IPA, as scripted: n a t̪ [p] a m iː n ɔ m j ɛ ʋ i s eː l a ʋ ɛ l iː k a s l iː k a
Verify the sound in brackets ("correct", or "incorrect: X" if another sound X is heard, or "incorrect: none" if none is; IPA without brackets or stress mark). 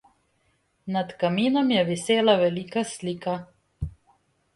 incorrect: k